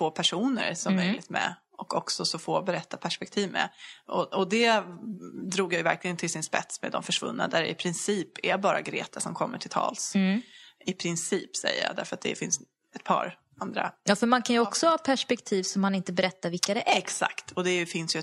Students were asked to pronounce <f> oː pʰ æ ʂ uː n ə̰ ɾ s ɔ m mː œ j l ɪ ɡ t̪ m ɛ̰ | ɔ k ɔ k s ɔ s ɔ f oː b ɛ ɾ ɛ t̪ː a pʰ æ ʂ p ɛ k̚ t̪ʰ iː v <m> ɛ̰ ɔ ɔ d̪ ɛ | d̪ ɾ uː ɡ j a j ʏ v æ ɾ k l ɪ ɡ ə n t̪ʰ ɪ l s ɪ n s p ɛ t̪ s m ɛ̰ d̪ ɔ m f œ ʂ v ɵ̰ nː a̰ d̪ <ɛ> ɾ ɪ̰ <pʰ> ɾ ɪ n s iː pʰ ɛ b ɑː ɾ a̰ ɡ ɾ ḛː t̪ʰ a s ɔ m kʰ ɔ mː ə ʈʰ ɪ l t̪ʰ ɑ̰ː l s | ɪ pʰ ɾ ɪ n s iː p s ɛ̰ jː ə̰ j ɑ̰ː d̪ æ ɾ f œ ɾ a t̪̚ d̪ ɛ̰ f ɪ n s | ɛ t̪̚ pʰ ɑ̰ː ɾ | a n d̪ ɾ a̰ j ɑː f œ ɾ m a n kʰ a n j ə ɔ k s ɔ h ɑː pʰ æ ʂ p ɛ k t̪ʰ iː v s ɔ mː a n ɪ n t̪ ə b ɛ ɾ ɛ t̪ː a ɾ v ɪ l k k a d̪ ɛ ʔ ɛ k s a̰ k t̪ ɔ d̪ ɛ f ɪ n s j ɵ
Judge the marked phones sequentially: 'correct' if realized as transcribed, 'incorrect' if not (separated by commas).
correct, correct, incorrect, correct